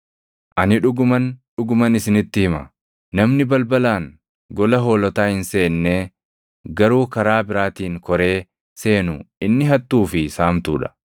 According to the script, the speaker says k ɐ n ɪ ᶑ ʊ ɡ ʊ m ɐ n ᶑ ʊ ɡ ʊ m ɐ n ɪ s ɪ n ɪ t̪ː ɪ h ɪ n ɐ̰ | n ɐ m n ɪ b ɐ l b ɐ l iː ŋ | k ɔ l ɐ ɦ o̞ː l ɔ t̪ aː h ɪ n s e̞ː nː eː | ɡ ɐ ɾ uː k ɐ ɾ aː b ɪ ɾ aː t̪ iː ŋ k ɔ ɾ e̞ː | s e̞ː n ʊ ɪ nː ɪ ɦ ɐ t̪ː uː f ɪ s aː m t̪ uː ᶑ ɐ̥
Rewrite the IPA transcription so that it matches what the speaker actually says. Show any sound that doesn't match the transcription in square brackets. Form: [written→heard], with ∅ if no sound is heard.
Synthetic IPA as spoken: [k→ʔ] ɐ n ɪ ᶑ ʊ ɡ ʊ m ɐ n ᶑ ʊ ɡ ʊ m ɐ n ɪ s ɪ n ɪ t̪ː ɪ h ɪ [n→m] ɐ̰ | n ɐ m n ɪ b ɐ l b ɐ l [iː→aː] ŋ | [k→ɡ] ɔ l ɐ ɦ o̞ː l ɔ t̪ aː h ɪ n s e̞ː nː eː | ɡ ɐ ɾ uː k ɐ ɾ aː b ɪ ɾ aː t̪ iː ŋ k ɔ ɾ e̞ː | s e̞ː n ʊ ɪ nː ɪ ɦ ɐ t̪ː uː f ɪ s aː m t̪ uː ᶑ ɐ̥

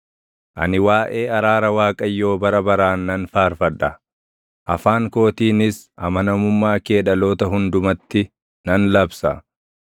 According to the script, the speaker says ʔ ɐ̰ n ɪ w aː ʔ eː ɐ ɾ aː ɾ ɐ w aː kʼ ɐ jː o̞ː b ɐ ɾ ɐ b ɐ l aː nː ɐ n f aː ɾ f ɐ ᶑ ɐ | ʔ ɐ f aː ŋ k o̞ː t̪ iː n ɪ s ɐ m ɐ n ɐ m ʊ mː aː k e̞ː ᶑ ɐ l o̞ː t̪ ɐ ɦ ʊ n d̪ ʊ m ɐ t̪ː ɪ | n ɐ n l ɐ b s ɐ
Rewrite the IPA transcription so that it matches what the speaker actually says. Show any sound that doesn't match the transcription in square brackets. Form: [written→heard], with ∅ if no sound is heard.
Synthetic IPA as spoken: ʔ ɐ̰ n ɪ w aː ʔ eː ɐ ɾ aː ɾ ɐ w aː kʼ ɐ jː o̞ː b ɐ ɾ ɐ b ɐ [l→ɾ] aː nː ɐ n f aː ɾ f ɐ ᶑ ɐ | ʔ ɐ f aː ŋ k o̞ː t̪ iː n ɪ s ɐ m ɐ n ɐ m ʊ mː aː k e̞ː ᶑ ɐ l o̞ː t̪ ɐ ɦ ʊ n d̪ ʊ m ɐ t̪ː ɪ | n ɐ n l ɐ b s ɐ

